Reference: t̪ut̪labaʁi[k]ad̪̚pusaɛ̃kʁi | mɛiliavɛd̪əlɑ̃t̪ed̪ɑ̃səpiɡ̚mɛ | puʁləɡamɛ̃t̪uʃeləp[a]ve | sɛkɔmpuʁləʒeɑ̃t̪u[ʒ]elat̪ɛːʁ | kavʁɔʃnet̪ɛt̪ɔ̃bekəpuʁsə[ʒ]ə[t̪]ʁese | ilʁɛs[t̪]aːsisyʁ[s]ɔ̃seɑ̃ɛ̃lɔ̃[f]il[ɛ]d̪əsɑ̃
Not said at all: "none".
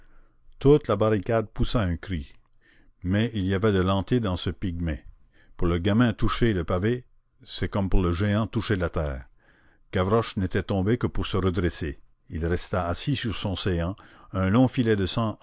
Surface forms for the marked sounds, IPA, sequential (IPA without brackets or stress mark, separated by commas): k, a, ʃ, ʁ, d̪, t̪, s, f, ɛ